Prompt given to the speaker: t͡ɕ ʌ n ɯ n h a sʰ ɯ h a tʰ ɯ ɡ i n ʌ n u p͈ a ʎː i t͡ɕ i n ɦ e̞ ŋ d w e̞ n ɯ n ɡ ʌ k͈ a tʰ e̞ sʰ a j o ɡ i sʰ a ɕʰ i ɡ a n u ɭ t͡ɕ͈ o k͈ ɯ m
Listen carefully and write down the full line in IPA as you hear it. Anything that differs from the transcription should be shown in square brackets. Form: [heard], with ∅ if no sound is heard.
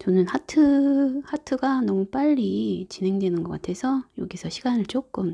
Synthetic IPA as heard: t͡ɕ ʌ n ɯ n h a [tʰ] ɯ h a tʰ ɯ ɡ [a] n ʌ [m] u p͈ a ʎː i t͡ɕ i n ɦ e̞ ŋ d w e̞ n ɯ n ɡ ʌ k͈ a tʰ e̞ sʰ [ʌ] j o ɡ i sʰ [ʌ] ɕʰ i ɡ a n [ɯ] ɭ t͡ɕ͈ o k͈ ɯ m